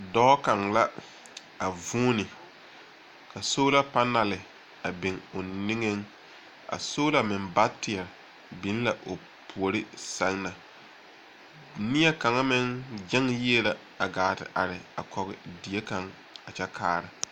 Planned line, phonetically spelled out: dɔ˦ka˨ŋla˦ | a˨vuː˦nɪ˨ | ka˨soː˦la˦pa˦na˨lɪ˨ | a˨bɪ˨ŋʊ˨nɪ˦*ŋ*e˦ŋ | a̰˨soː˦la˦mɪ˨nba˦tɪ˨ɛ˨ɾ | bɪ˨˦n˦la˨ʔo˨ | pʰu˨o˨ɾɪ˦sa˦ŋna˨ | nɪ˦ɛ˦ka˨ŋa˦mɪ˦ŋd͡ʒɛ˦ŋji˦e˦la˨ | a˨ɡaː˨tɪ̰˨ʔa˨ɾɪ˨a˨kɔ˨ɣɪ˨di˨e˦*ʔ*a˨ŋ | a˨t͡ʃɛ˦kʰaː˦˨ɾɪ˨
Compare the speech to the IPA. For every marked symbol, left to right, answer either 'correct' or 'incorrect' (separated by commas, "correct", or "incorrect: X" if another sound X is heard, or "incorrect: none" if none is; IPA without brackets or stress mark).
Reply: correct, incorrect: k